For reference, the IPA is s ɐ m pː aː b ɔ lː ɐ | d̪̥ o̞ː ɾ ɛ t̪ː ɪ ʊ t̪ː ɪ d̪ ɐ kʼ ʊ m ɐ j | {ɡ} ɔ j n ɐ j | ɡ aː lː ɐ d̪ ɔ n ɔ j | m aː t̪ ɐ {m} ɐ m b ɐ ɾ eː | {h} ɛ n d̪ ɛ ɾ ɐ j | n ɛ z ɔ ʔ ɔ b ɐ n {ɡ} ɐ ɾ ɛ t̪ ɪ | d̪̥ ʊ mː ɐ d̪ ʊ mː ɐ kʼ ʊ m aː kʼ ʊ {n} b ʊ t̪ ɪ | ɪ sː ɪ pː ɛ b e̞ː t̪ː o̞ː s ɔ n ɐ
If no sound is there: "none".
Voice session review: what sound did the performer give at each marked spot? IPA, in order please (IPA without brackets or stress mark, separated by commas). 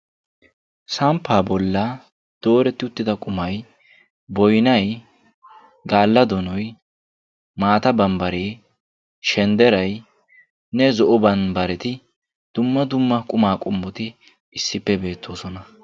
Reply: b, b, ʃ, b, m